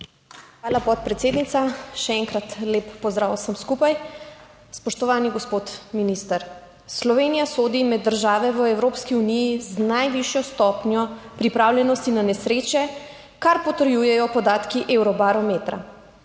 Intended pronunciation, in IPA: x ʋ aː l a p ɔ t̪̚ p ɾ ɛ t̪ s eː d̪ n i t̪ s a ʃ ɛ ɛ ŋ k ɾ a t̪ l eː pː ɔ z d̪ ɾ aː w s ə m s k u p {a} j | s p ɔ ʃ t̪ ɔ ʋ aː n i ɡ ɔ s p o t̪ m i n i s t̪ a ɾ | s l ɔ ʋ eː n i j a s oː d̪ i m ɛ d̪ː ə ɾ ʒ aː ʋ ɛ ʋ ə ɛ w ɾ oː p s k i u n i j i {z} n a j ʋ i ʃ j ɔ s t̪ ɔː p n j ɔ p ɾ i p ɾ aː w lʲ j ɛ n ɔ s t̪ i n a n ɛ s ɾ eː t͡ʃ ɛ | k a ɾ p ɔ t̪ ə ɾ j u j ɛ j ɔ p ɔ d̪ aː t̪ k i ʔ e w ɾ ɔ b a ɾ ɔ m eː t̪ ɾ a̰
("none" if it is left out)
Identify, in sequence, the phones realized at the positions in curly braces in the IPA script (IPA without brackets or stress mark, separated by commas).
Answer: a, z